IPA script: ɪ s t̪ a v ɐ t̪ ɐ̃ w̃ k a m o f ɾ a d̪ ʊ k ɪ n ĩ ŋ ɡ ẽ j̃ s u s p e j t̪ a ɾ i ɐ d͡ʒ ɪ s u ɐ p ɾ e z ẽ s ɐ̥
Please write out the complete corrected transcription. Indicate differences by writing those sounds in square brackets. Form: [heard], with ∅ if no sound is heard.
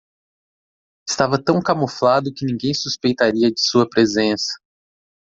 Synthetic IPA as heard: ɪ s t̪ a v ɐ t̪ ɐ̃ w̃ k a m o f [l] a d̪ ʊ k ɪ n ĩ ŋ ɡ ẽ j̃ s u s p e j t̪ a ɾ i ɐ d͡ʒ ɪ s u ɐ p ɾ e z ẽ s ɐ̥